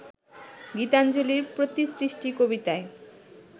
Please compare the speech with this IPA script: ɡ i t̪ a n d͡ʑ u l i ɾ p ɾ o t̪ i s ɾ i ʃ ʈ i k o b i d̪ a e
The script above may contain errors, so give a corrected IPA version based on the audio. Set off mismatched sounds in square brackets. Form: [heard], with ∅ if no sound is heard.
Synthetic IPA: ɡ i t̪ a n d͡ʑ [o] l i ɾ p ɾ o t̪ i s ɾ i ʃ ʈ i k o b i [t̪] a e